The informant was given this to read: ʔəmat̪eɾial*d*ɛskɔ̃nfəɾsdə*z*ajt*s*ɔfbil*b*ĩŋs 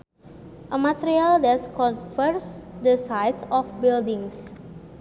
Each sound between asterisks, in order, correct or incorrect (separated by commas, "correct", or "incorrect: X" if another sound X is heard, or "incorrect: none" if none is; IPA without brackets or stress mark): correct, incorrect: s, correct, incorrect: d